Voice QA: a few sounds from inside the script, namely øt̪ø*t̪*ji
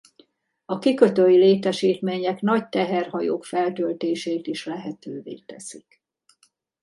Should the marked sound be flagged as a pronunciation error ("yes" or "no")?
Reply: yes